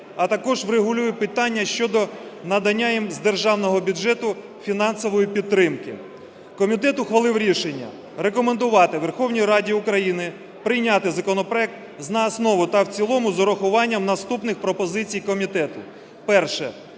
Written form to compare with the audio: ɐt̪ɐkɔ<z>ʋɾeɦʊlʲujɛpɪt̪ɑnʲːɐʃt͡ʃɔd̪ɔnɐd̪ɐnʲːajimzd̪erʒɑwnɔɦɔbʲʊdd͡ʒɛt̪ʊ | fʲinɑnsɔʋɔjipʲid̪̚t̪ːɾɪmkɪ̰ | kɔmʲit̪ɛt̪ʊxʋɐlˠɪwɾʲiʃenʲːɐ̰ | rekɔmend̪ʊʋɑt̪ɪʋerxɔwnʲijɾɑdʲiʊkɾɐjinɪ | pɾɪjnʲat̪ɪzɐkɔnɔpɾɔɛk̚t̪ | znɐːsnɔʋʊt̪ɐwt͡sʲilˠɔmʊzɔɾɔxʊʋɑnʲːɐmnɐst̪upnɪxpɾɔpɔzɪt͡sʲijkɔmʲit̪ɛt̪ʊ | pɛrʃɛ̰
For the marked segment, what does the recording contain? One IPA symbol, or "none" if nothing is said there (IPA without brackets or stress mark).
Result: ʒ